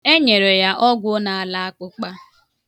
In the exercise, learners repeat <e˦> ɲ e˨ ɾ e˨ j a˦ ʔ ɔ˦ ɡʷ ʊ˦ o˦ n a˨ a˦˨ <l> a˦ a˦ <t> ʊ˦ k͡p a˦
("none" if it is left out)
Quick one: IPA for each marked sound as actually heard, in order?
e˦, l, k

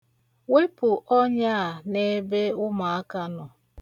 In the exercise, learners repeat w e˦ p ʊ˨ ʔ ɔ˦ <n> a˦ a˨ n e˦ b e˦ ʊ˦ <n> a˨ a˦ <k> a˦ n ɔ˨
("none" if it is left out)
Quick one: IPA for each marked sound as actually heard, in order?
ɲ, m, k

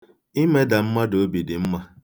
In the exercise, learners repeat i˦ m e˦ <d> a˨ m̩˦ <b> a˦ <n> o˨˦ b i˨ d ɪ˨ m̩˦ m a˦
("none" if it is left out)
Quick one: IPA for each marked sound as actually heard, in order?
d, m, d

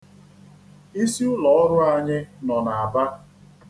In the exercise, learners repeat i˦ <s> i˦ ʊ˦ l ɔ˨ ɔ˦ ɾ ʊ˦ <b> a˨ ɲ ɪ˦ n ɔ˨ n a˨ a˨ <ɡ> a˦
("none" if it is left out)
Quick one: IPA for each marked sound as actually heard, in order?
s, none, b

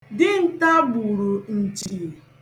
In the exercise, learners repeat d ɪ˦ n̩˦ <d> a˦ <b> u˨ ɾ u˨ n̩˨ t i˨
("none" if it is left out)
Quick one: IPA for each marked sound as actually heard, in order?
t, b

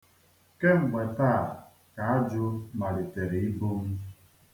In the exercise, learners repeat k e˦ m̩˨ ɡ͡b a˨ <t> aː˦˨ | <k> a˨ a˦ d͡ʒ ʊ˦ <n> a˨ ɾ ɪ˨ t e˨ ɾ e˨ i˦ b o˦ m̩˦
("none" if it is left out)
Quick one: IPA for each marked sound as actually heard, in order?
t, k, m

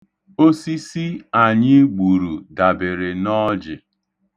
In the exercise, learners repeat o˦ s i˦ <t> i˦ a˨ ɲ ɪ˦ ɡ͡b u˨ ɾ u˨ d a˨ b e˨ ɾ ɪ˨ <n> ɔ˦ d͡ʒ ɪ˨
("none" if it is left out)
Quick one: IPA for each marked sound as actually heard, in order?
s, n

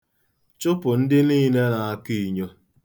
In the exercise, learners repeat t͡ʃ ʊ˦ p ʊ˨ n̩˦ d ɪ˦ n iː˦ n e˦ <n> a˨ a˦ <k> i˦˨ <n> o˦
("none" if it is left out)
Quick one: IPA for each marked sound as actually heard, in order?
n, k, ɲ

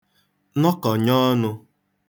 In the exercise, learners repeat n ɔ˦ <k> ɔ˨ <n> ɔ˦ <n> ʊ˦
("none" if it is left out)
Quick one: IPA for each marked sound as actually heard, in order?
k, ɲ, n

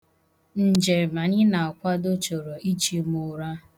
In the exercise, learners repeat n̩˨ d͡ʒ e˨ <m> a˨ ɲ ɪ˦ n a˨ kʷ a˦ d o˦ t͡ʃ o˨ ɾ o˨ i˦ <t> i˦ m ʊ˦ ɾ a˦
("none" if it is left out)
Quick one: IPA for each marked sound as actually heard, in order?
m, t͡ʃ

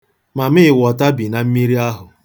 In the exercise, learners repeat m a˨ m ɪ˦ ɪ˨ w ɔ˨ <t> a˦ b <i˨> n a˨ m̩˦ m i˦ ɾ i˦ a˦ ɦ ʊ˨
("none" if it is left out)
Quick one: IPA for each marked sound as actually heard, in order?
t, i˨

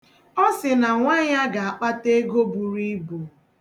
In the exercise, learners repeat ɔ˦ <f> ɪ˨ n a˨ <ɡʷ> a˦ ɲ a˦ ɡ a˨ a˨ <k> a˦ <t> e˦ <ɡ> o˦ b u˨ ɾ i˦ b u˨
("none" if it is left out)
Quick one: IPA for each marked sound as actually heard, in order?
s, ŋʷ, k͡p, t, ɡ

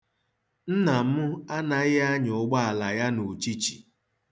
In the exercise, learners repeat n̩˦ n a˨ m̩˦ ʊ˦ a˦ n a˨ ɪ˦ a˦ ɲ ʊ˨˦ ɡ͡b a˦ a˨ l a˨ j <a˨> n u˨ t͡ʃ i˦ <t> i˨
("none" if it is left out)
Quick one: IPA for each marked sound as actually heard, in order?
a˦, t͡ʃ

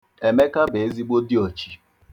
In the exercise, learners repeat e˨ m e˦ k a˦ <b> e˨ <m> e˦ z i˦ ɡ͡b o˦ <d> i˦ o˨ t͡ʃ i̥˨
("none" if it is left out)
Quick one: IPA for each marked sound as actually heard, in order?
b, none, d

